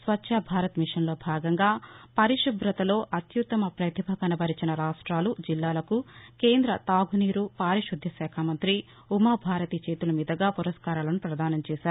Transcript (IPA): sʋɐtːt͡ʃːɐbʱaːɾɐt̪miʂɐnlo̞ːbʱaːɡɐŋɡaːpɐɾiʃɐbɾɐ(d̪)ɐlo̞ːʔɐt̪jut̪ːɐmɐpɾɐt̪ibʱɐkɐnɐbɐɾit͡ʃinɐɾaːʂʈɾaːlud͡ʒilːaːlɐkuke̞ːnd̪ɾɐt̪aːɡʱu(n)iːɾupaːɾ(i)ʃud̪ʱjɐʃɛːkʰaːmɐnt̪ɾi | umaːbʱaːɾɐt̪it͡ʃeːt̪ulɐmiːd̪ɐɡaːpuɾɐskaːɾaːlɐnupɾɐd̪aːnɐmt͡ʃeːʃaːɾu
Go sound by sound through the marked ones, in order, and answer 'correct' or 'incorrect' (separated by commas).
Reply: incorrect, correct, correct